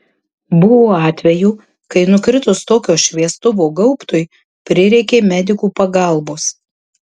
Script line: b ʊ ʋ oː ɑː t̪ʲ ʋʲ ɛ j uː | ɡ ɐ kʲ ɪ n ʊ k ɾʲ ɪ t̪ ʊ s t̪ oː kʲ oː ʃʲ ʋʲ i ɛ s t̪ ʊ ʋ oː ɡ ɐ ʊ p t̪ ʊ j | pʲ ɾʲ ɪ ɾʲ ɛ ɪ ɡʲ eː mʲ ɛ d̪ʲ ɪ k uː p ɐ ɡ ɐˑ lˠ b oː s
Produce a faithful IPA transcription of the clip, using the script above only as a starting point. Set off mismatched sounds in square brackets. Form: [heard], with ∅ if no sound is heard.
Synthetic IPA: b ʊ ʋ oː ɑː t̪ʲ ʋʲ ɛ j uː | [k] ɐ [∅] ɪ n ʊ k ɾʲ ɪ t̪ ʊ s t̪ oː kʲ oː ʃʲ ʋʲ i ɛ s t̪ ʊ ʋ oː ɡ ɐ ʊ p t̪ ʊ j | pʲ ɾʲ ɪ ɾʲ ɛ ɪ [kʲ] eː mʲ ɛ d̪ʲ ɪ k uː p ɐ ɡ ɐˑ lˠ b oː s

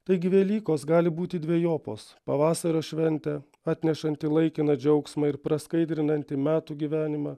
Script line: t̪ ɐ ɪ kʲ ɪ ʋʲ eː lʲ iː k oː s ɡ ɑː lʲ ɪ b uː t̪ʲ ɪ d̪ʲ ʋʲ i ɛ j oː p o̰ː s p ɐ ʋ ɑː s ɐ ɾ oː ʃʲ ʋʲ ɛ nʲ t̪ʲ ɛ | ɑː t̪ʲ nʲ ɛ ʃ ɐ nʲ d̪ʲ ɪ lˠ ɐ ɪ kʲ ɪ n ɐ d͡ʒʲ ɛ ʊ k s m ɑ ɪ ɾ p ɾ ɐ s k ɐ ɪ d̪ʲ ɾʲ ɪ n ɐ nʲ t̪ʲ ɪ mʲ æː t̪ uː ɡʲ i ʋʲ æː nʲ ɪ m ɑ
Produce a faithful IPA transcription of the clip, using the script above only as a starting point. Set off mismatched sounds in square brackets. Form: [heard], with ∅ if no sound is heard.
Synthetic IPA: t̪ ɐ ɪ [ɡʲ] ɪ ʋʲ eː lʲ iː k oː s ɡ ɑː lʲ ɪ b uː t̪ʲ ɪ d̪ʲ ʋʲ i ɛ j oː p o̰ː s p ɐ ʋ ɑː s ɐ ɾ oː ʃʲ ʋʲ ɛ nʲ t̪ʲ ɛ | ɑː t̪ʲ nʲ ɛ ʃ ɐ nʲ [t̪ʲ] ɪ lˠ ɐ ɪ kʲ ɪ n ɐ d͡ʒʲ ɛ ʊ k s m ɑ ɪ ɾ p ɾ ɐ s k ɐ ɪ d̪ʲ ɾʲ ɪ n ɐ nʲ t̪ʲ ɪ mʲ æː t̪ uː ɡʲ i ʋʲ æː nʲ ɪ m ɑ

